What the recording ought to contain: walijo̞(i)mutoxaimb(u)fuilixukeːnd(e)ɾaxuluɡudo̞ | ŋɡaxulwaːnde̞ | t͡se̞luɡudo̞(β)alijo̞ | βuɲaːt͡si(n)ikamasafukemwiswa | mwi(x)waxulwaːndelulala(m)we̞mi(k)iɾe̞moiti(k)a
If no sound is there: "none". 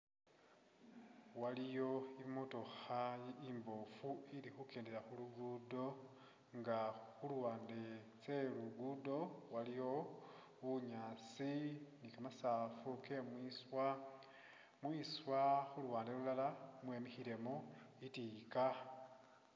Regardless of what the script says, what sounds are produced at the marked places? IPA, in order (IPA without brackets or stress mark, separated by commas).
i, o, e, w, n, s, m, x, k